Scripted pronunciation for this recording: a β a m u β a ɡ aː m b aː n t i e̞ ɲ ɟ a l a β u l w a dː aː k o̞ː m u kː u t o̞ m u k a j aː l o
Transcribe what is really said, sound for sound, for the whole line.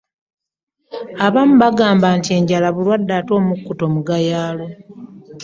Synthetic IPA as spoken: a β a m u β a ɡ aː m b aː n t i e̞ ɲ ɟ a l a β u l w a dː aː t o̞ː m u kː u t o̞ m u ɡ a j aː l o